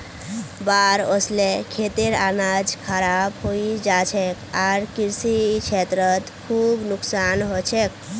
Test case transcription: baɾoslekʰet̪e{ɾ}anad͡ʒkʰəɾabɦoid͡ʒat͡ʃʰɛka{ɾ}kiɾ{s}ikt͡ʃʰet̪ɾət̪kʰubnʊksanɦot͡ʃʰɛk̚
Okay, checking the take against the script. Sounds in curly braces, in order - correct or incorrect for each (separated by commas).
correct, correct, correct